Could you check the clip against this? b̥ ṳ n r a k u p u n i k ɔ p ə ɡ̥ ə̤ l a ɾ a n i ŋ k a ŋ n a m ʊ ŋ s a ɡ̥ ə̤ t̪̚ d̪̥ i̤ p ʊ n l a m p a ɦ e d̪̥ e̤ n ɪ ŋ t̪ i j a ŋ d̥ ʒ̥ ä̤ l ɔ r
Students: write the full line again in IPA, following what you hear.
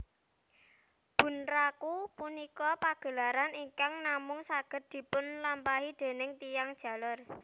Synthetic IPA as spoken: b̥ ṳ n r a k u p u n i k ɔ p a ɡ̥ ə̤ l a ɾ a n i ŋ k a ŋ n a m ʊ ŋ s a ɡ̥ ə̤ t̪̚ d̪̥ i̤ p ʊ n l a m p a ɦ i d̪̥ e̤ n ɪ ŋ t̪ i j a ŋ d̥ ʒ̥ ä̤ l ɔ r